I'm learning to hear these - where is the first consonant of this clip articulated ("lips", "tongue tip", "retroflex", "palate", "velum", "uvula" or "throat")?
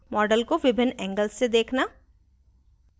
lips